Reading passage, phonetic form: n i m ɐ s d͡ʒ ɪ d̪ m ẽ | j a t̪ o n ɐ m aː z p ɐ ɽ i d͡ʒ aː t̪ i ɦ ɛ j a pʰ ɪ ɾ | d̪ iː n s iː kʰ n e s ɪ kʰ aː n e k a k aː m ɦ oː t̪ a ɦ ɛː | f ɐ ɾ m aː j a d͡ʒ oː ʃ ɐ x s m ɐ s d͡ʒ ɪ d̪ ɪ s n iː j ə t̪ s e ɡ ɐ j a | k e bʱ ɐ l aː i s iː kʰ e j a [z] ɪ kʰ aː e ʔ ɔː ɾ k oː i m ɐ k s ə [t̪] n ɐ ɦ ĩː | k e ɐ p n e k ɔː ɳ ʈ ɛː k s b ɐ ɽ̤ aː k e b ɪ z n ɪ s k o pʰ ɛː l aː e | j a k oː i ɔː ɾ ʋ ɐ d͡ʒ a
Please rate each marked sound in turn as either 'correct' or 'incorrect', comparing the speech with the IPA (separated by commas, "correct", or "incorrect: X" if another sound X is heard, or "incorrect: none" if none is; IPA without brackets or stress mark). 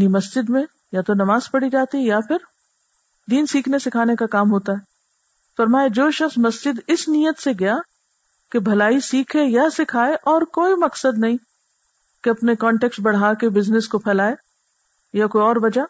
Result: incorrect: s, incorrect: d̪